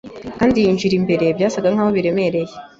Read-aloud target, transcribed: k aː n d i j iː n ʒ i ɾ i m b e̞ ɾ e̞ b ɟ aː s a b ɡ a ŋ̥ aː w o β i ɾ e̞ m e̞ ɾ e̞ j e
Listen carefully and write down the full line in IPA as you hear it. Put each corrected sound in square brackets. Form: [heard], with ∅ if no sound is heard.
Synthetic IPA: k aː n d i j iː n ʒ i ɾ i m b e̞ ɾ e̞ b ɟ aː s a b ɡ a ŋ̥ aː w o β i ɾ e̞ m e̞ ɾ e̞ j e